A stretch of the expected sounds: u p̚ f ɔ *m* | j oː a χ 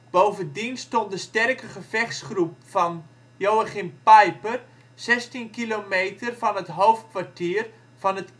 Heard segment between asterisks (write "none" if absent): n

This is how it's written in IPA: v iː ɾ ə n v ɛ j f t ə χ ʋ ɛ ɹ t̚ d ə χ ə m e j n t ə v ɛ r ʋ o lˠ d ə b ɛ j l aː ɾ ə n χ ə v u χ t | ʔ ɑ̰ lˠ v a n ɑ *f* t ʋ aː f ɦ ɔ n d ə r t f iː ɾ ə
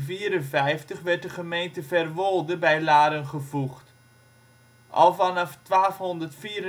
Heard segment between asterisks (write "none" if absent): f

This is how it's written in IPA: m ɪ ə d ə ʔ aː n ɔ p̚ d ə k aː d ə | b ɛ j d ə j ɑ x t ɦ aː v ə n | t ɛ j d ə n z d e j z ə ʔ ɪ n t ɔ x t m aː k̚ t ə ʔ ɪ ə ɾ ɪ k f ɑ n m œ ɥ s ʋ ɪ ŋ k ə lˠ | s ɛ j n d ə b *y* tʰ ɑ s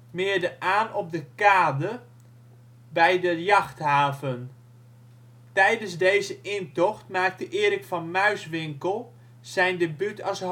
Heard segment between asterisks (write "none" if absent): y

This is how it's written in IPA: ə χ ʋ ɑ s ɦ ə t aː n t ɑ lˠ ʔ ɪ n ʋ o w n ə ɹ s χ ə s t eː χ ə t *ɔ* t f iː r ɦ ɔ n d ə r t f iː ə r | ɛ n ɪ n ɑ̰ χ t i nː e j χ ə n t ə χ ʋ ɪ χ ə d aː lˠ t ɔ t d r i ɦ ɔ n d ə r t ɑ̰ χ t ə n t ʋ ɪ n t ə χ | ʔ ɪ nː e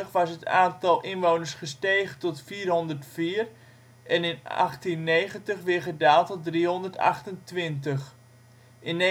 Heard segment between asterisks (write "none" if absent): ɔ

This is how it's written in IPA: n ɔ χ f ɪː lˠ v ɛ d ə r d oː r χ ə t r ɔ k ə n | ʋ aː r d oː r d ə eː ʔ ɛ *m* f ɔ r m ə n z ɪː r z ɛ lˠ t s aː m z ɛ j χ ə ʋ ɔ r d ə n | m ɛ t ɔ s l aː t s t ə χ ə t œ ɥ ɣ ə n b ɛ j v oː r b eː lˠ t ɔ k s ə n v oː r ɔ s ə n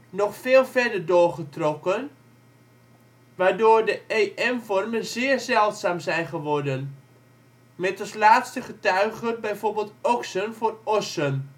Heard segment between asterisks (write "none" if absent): m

